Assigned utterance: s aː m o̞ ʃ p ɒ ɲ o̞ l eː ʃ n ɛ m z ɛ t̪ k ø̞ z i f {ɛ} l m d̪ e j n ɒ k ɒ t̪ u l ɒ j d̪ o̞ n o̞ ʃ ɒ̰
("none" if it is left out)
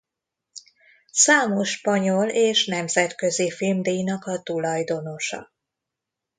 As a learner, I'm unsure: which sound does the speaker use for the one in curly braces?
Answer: i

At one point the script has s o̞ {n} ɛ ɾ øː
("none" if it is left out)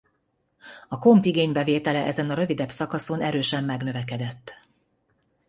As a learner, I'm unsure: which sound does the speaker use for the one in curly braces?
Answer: n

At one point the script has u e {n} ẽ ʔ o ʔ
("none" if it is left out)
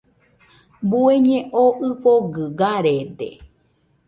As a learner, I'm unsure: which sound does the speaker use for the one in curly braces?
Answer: ɲ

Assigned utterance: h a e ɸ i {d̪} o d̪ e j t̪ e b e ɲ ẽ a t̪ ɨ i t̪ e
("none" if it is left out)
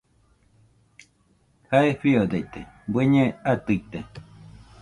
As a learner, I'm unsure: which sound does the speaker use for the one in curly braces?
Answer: none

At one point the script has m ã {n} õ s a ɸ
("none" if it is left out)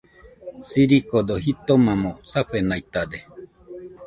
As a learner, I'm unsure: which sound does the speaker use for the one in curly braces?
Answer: m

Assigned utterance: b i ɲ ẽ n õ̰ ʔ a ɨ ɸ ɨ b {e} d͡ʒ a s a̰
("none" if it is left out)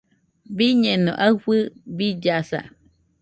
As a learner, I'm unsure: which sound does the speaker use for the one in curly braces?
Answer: i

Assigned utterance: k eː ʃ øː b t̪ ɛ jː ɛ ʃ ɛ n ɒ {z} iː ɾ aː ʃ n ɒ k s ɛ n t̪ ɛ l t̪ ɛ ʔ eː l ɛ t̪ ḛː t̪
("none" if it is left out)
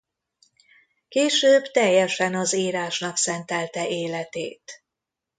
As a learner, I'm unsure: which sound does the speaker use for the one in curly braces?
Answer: z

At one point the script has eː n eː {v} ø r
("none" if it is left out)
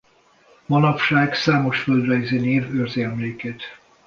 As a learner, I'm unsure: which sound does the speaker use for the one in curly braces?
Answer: v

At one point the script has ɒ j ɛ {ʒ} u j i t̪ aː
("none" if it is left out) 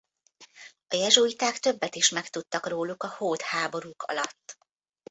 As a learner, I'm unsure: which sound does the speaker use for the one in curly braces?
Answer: ʒ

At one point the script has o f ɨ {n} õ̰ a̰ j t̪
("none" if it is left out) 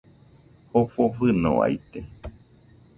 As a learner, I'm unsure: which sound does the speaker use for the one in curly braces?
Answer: n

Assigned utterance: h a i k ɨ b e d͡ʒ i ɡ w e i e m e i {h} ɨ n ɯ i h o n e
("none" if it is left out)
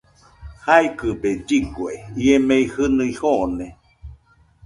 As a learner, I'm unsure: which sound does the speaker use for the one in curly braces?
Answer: h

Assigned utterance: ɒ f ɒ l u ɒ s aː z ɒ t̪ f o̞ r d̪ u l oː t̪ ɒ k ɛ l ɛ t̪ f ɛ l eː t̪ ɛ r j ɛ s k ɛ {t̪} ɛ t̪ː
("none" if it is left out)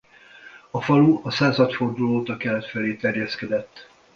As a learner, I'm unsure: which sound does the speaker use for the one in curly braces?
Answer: d̪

